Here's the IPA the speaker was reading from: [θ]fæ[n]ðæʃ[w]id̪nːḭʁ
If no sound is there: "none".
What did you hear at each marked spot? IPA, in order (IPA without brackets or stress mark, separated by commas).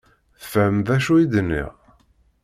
θ, m, u